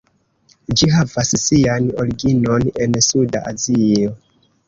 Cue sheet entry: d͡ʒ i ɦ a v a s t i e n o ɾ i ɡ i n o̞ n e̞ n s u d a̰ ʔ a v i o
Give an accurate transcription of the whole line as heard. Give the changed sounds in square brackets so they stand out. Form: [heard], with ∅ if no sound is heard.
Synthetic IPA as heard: d͡ʒ i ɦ a v a s [s] i [a] n o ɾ i ɡ i n o̞ n e̞ n s u d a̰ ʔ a [z] i o